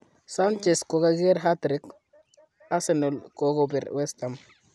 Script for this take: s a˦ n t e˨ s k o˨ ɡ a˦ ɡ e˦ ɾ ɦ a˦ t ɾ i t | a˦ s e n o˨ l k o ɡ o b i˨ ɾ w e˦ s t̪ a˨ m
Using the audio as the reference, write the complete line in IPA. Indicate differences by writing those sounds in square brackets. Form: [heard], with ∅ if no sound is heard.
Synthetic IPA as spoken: s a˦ n [t͡ʃ] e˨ s k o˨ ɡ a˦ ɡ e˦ ɾ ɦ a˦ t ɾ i [k] | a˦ s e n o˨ l k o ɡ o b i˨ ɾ w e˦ s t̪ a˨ m